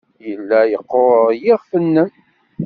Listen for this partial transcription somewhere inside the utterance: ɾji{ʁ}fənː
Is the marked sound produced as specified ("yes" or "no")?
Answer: yes